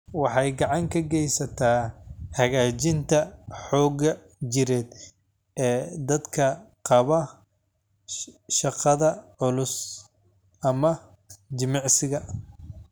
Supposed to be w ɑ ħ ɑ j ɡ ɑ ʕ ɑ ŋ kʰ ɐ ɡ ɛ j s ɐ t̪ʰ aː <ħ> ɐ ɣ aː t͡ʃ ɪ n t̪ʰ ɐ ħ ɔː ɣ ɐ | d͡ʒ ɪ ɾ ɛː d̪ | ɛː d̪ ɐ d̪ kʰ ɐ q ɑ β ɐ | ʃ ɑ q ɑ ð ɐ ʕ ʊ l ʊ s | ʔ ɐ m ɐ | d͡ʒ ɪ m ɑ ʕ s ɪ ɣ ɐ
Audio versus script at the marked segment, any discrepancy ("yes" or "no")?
yes